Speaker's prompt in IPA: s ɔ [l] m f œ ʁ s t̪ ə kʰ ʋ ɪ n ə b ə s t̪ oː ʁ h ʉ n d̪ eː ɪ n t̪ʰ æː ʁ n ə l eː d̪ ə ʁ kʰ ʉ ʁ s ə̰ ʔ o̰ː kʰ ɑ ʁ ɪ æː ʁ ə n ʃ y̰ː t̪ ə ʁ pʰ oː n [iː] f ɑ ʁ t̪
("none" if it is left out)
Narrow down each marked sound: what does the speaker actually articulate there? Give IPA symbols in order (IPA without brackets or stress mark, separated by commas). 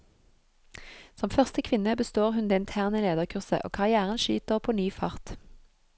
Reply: none, yː